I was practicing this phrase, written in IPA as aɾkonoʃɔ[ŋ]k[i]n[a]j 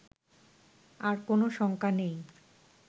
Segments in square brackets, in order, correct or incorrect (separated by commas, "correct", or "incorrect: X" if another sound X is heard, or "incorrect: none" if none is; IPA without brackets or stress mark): correct, incorrect: a, incorrect: e